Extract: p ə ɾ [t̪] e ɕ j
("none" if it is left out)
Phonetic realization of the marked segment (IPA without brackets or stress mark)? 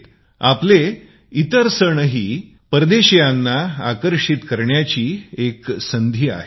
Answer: d̪